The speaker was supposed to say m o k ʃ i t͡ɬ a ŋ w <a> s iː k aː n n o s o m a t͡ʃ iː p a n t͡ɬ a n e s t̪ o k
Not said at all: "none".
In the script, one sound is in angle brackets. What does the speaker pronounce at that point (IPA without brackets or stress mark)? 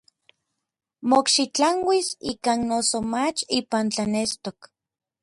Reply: i